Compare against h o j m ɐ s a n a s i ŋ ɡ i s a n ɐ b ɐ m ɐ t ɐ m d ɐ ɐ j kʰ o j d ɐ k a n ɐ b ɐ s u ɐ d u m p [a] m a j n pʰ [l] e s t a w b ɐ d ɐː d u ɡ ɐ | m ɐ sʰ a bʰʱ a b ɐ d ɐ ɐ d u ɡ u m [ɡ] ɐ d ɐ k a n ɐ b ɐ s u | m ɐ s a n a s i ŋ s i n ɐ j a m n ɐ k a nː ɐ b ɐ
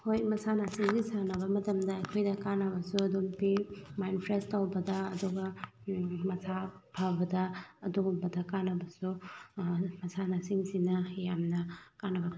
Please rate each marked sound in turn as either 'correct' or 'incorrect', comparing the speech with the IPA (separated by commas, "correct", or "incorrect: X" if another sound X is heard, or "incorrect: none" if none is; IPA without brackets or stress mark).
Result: incorrect: i, incorrect: ɾ, incorrect: b